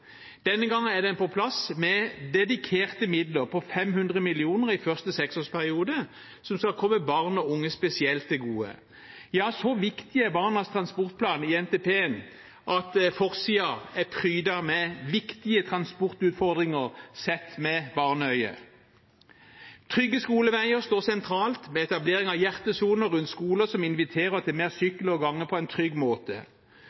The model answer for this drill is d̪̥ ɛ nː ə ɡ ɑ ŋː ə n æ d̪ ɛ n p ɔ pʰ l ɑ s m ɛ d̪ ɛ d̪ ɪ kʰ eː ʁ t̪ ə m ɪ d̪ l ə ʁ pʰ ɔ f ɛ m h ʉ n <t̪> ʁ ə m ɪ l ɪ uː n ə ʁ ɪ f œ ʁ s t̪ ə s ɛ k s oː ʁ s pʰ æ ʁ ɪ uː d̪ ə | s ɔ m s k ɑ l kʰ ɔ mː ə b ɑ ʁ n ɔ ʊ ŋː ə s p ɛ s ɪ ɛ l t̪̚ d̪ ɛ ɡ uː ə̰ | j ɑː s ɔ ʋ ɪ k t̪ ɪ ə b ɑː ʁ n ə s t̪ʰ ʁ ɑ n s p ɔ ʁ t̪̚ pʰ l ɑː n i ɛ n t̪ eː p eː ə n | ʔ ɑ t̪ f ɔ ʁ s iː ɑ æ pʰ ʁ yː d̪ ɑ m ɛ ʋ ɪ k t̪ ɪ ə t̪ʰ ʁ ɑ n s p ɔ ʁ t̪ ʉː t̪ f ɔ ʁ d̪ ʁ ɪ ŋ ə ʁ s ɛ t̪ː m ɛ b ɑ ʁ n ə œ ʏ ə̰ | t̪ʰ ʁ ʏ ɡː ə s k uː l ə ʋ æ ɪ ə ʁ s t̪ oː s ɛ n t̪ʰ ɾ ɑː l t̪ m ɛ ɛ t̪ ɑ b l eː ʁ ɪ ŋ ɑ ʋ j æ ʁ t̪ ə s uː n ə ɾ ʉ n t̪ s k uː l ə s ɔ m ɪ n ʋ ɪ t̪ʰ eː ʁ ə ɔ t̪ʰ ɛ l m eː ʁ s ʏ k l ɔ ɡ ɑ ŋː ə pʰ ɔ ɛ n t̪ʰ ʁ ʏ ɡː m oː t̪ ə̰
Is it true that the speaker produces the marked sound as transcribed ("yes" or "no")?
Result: no